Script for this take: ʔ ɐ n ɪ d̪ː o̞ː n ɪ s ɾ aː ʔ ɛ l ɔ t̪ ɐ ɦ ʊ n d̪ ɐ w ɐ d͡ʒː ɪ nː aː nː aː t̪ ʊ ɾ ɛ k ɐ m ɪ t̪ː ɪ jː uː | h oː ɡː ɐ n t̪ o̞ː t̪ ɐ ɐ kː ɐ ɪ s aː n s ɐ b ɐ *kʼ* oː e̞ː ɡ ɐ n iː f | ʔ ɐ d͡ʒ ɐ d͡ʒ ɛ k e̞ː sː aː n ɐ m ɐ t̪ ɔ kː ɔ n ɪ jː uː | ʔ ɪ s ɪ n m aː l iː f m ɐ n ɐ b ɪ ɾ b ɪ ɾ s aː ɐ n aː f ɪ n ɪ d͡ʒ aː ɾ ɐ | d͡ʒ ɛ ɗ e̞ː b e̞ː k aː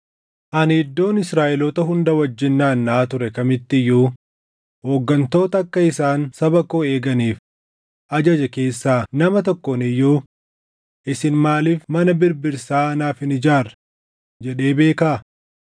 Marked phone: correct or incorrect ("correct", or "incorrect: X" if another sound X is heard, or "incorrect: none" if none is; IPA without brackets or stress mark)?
incorrect: k